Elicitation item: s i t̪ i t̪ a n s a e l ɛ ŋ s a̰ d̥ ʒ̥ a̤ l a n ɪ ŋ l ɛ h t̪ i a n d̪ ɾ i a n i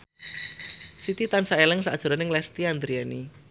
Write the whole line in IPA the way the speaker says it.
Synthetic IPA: s i t̪ i t̪ a n s a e l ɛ ŋ s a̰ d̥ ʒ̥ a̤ ɾ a n ɪ ŋ l ɛ s t̪ i a n d̪ ɾ i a n i